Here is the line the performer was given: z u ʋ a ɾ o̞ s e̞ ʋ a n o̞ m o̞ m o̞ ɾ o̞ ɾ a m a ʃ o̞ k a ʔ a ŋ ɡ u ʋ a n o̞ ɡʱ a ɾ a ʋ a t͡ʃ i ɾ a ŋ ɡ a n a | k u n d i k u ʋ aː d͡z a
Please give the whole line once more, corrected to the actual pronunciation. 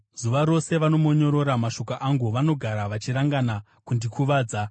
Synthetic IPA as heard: z u ʋ a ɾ o̞ s e̞ ʋ a n o̞ m o̞ ɲ o̞ ɾ o̞ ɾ a m a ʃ o̞ k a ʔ a ŋ ɡ u ʋ a n o̞ ɡʱ a ɾ a ʋ a t͡ʃ i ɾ a ŋ ɡ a n a | k u n d i k u ʋ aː d͡z a